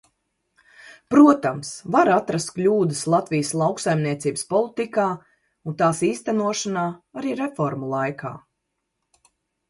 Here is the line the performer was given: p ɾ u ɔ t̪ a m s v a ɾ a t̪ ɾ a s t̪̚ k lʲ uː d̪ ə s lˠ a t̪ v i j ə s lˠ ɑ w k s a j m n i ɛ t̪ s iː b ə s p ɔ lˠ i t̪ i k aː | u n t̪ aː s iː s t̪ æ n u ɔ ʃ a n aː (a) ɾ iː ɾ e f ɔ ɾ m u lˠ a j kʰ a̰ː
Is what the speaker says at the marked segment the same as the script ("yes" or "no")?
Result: yes